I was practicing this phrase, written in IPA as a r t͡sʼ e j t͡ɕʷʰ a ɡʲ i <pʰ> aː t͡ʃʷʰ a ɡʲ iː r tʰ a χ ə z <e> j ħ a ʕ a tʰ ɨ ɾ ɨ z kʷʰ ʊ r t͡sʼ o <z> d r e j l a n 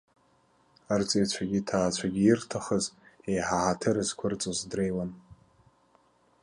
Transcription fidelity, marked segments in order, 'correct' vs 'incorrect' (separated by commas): incorrect, correct, correct